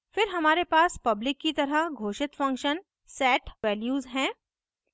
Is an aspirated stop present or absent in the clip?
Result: absent